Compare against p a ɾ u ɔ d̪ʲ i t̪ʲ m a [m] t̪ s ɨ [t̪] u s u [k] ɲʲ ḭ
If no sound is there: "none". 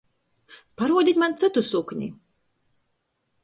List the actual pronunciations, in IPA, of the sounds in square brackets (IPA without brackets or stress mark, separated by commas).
n, t̪, k